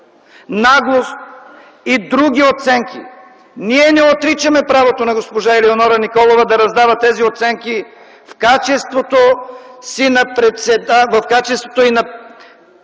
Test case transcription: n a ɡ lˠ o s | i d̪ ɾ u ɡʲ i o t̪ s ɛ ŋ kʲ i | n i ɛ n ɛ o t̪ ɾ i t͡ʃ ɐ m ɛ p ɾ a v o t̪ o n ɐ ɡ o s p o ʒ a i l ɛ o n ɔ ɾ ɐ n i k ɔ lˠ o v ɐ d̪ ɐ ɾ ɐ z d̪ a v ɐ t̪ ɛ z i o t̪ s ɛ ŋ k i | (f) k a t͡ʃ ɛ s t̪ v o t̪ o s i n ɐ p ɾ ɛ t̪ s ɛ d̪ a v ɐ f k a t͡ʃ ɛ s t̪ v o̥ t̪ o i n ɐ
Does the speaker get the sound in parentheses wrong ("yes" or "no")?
no